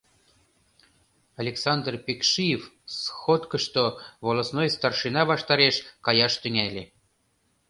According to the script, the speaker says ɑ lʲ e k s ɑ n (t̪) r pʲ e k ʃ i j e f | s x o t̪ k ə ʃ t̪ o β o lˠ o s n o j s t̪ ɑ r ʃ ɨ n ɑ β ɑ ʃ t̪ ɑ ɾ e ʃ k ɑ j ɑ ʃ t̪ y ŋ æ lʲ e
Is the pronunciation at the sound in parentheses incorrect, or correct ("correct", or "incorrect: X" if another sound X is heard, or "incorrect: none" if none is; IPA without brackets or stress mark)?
incorrect: d̪